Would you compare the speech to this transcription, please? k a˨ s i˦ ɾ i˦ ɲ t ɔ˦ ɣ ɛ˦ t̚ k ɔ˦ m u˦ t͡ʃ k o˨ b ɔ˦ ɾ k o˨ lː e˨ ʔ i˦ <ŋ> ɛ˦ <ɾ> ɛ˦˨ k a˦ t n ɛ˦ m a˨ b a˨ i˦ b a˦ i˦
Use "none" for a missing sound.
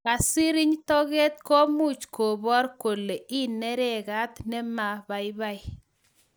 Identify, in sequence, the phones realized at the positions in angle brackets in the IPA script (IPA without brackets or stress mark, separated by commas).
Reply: n, ɾ